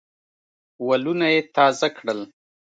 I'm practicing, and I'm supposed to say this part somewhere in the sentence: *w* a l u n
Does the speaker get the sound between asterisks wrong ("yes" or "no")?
no